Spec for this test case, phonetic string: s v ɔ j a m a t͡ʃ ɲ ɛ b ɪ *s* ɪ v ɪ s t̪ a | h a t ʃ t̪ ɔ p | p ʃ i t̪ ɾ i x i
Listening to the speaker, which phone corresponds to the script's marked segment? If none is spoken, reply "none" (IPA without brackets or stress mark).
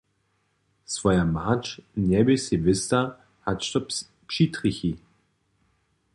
s